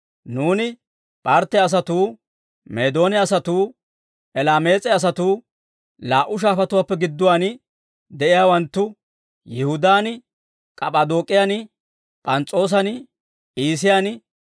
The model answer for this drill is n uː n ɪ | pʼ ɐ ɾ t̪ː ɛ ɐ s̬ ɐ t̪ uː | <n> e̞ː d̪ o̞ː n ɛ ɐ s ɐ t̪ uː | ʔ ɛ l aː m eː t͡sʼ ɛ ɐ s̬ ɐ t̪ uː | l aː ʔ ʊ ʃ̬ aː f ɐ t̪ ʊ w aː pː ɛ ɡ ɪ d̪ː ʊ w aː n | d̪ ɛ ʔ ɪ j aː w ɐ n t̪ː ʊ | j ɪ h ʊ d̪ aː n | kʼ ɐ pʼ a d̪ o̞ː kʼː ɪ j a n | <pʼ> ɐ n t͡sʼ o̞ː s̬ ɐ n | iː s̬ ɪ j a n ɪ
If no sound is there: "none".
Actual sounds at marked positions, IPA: m, pʼ

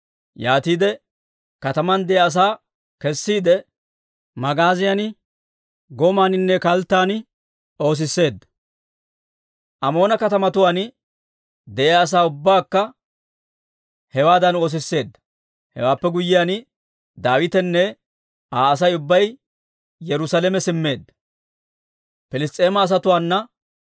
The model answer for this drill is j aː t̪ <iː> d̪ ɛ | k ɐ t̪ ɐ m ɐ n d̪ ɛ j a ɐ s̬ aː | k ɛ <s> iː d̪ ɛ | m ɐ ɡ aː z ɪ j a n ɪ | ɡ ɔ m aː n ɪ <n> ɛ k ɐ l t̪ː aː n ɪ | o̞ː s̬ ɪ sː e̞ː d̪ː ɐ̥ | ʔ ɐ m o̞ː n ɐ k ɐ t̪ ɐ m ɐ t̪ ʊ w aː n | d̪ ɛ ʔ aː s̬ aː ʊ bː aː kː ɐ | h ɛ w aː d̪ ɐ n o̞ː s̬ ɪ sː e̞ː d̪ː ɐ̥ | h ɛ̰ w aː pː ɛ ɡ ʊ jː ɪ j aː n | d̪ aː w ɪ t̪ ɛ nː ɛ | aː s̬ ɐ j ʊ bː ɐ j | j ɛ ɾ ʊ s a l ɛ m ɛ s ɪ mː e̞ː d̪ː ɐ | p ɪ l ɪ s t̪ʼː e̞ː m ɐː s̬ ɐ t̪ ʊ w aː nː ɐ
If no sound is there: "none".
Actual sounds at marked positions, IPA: iː, sː, nː

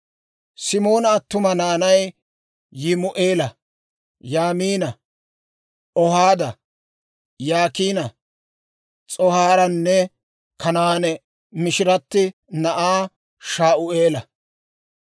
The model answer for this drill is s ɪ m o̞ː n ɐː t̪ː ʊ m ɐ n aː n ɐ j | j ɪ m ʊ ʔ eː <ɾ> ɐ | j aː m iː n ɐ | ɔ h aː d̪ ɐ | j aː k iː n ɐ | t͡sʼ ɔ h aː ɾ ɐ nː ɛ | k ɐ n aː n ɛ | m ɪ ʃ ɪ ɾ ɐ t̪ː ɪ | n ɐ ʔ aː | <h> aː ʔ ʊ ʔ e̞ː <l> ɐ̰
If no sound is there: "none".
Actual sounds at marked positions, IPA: l, ʃ, l

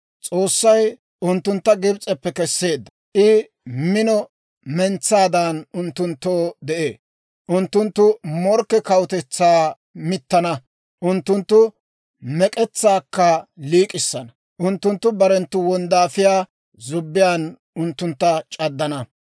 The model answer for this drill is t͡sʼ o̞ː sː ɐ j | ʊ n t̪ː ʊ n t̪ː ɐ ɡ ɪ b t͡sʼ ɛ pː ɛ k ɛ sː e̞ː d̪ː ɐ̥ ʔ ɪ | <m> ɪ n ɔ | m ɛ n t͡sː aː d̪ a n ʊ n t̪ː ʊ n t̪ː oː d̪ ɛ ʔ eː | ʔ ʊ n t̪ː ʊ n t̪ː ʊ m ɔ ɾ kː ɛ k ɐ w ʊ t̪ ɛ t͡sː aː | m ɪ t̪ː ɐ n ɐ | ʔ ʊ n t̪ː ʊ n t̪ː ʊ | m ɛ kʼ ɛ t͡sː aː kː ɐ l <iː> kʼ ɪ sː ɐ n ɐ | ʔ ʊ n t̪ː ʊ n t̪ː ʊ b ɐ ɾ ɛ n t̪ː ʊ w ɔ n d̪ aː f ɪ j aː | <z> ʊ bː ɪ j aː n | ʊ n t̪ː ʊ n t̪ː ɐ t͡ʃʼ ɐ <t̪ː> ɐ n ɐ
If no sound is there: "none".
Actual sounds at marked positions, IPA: m, iː, z, d̪ː

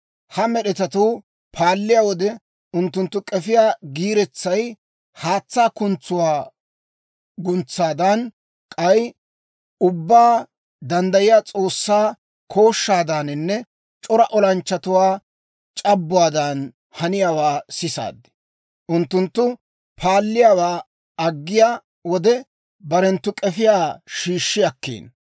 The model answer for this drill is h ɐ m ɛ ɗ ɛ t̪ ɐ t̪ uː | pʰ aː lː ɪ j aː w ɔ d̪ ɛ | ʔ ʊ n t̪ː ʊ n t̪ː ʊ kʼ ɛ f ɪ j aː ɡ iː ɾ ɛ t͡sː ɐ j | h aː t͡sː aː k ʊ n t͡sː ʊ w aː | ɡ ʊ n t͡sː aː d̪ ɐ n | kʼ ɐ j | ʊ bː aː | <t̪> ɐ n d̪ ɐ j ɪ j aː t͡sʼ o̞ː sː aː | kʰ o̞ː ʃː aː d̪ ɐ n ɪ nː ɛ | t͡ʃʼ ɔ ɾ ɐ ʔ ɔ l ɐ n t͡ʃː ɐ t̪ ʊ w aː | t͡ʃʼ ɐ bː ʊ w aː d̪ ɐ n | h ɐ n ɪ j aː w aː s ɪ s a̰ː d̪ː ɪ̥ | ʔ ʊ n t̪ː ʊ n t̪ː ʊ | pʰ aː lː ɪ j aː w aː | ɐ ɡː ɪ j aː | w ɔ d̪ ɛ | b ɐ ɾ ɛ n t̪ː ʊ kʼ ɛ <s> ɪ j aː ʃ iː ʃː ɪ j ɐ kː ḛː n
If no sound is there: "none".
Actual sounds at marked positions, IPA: d̪, f

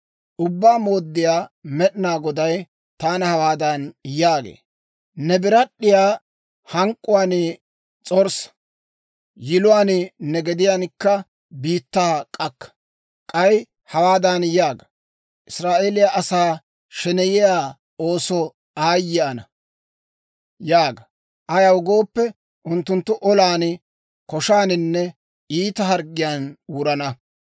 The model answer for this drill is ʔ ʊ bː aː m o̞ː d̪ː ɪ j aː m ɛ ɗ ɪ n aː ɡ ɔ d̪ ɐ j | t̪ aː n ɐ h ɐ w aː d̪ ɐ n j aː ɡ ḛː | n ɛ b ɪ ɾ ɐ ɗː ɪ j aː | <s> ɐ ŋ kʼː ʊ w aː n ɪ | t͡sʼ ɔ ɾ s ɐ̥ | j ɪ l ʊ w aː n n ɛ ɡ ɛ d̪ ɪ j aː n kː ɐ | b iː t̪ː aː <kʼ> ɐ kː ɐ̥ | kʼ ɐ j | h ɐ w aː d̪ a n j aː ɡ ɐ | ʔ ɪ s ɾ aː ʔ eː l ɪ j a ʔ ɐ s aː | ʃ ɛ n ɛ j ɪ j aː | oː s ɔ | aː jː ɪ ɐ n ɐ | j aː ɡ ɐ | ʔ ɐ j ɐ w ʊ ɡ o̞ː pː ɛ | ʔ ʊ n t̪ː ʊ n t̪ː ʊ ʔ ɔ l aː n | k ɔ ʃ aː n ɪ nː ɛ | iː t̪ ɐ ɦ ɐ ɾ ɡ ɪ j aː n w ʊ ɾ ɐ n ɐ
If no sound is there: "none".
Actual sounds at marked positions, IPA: h, kʼ

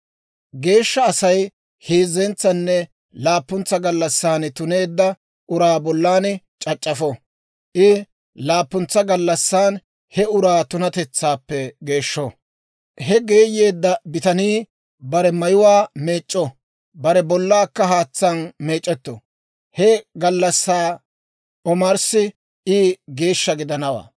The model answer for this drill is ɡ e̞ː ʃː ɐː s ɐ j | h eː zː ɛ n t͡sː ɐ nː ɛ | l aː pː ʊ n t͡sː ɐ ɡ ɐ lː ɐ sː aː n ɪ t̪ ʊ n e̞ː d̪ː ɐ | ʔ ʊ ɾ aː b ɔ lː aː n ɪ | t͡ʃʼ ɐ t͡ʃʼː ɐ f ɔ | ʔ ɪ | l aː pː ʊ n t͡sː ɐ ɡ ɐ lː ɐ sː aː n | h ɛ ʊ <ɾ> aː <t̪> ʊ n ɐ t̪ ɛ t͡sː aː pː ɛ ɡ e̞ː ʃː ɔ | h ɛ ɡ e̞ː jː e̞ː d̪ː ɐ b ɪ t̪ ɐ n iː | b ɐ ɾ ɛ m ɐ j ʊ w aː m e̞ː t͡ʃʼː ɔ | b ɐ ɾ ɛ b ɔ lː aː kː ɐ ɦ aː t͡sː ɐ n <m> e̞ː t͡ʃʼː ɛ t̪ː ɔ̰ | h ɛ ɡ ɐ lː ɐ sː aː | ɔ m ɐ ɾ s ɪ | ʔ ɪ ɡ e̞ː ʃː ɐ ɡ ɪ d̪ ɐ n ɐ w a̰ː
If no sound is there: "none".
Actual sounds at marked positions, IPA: ɾ, t̪, m

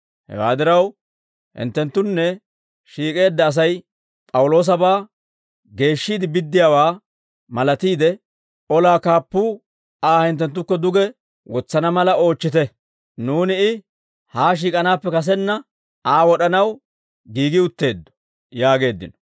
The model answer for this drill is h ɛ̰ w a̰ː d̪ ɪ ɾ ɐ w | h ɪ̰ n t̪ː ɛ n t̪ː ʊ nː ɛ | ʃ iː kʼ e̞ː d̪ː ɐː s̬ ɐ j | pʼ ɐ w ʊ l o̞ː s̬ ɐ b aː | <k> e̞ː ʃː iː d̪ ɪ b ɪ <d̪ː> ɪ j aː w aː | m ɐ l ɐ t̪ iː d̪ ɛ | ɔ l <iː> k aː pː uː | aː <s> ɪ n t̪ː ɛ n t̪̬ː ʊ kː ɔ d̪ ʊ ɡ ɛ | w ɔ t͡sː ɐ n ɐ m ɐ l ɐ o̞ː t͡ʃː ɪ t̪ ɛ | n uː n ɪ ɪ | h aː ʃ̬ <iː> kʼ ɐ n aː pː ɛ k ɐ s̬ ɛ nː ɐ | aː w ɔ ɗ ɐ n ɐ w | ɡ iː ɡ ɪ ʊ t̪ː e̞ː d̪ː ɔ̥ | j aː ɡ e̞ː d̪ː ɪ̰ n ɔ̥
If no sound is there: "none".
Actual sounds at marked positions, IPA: ɡ, d̪ː, aː, h, iː

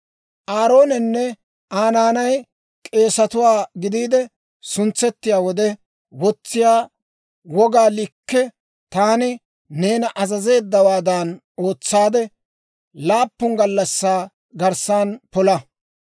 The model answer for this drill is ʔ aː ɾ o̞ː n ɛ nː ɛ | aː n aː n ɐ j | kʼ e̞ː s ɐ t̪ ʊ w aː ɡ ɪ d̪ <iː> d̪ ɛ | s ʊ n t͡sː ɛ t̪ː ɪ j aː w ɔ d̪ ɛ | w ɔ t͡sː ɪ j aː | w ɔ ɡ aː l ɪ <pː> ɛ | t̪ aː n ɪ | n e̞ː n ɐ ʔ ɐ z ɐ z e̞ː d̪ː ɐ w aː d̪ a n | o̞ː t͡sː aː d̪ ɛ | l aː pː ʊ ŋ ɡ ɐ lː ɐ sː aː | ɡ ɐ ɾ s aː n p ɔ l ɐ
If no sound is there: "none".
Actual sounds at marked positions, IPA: iː, kː

